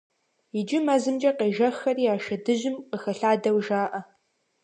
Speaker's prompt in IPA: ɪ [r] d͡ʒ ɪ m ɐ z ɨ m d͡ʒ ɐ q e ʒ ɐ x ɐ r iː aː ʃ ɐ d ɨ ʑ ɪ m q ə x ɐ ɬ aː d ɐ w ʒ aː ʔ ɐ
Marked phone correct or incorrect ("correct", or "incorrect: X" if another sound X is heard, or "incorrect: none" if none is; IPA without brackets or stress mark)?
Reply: incorrect: none